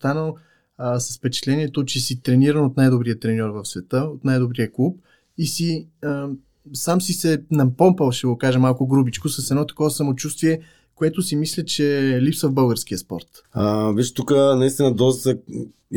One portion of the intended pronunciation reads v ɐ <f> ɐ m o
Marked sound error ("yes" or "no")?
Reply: yes